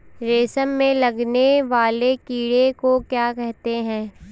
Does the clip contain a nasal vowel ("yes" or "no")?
yes